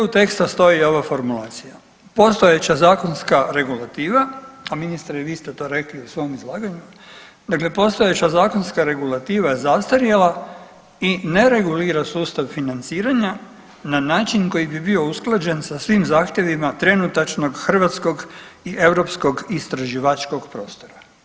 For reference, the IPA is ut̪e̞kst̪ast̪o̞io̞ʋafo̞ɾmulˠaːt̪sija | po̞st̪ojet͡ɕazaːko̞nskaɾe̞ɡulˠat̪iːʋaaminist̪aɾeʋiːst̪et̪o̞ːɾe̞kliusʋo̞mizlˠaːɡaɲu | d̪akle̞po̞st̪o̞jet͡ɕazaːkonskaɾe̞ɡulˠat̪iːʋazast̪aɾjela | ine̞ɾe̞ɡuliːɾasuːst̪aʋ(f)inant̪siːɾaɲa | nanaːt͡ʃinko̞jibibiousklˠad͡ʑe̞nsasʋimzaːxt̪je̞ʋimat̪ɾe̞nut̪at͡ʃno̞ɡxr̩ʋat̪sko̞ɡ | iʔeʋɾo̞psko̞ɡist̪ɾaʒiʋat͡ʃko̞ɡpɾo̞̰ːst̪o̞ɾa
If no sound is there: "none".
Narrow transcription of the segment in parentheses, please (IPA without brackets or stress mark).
f